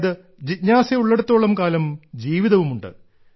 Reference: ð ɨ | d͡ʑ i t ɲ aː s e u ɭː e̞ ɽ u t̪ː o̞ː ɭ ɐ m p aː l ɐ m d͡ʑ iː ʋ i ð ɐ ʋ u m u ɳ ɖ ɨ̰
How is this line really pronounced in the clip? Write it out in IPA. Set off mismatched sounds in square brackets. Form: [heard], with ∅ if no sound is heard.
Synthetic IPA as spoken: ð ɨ | d͡ʑ i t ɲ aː s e u ɭː e̞ ɽ u t̪ː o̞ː ɭ ɐ m [k] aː l ɐ m d͡ʑ iː ʋ i ð ɐ ʋ u m u ɳ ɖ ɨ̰